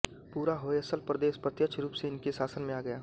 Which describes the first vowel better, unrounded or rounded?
rounded